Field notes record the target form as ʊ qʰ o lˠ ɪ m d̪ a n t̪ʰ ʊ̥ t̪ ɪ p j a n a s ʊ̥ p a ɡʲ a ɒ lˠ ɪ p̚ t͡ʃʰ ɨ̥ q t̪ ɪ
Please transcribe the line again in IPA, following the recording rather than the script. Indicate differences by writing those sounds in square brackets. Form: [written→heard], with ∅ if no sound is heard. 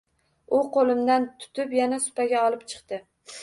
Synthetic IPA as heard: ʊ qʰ o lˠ ɪ m d̪ a n t̪ʰ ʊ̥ t̪ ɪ p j a n a s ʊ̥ p a ɡʲ a ɒ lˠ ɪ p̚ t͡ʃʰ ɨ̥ q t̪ ɪ